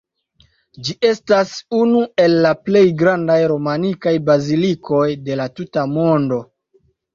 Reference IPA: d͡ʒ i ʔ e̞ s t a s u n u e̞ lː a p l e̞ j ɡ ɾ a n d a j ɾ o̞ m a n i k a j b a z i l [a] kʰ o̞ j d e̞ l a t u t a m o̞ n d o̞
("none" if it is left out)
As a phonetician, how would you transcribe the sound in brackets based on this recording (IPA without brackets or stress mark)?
i